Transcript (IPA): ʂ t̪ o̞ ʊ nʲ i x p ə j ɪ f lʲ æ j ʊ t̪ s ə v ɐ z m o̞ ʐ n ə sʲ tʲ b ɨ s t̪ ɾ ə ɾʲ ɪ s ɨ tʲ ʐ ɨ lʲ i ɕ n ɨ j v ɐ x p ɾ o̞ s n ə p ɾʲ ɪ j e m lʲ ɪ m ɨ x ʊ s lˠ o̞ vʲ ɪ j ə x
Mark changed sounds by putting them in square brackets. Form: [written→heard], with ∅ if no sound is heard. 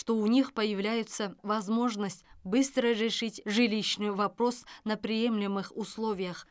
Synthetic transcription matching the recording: ʂ t̪ o̞ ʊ nʲ i x p ə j ɪ [f→v] lʲ æ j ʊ t̪ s ə v ɐ z m o̞ ʐ n ə sʲ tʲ b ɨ s t̪ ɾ ə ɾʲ ɪ [s→ʂ] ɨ tʲ ʐ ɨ lʲ i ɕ n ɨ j v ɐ [x→∅] p ɾ o̞ s n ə p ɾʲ ɪ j e m lʲ ɪ m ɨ x ʊ s lˠ o̞ vʲ ɪ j ə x